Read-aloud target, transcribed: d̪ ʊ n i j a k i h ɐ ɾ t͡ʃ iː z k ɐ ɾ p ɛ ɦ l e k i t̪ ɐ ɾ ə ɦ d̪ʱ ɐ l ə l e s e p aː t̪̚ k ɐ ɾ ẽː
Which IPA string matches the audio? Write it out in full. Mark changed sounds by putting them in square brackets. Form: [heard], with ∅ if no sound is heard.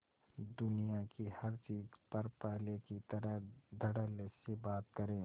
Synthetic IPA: d̪ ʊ n i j a k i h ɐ ɾ t͡ʃ iː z [p] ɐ ɾ p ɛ ɦ l e k i t̪ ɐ ɾ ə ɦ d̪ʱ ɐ [ɽ] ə l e s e [b] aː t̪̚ k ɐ ɾ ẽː